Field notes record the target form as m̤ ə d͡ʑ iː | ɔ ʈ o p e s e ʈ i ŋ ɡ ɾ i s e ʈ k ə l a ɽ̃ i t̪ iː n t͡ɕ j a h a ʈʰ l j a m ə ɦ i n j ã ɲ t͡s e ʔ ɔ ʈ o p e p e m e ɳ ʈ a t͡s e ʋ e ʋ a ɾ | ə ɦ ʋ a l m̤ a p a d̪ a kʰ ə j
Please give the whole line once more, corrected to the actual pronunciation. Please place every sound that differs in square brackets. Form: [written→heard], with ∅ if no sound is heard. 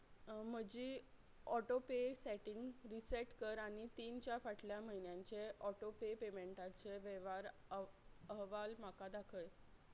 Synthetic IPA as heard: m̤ ə d͡ʑ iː | ɔ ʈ o p e s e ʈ i ŋ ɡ ɾ i s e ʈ k ə [l→ɾ] a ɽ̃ i t̪ iː n t͡ɕ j a [h→f] a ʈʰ l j a m ə ɦ i n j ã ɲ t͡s e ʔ ɔ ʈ o p e p e m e ɳ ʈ a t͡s e ʋ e ʋ a ɾ | ə ɦ ʋ a l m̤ a [p→k] a d̪ a kʰ ə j